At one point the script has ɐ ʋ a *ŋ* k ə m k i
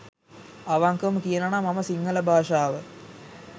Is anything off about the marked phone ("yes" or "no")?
no